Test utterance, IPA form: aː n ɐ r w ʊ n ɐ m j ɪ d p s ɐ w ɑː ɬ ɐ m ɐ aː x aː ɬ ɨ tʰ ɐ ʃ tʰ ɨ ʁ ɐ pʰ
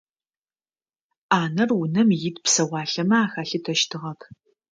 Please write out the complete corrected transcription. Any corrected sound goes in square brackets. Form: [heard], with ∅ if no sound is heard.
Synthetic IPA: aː n ɐ r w ʊ n ɐ m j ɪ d p s ɐ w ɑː ɬ ɐ m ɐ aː x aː ɬ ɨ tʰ ɐ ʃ tʰ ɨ ʁ ɐ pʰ